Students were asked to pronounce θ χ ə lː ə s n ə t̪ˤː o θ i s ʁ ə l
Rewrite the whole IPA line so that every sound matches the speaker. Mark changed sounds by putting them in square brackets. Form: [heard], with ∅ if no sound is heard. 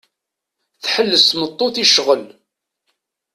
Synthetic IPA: θ [ħ] ə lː ə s [m] ə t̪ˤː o θ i [ʃ] ʁ ə l